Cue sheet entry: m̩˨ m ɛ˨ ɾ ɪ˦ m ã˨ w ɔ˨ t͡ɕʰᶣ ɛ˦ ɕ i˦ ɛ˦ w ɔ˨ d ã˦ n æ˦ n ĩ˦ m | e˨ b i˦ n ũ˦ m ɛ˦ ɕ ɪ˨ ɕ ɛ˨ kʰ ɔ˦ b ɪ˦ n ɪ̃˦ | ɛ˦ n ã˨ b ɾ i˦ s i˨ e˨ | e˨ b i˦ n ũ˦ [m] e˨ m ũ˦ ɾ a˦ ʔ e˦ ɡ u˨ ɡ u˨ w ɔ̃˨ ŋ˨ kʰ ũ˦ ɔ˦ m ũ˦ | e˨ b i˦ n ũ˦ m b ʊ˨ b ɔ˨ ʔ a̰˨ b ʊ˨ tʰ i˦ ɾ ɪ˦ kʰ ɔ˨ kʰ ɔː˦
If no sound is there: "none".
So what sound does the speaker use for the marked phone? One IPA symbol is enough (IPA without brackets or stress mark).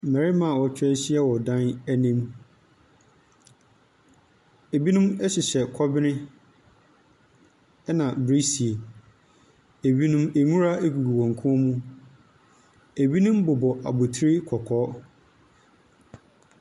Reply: m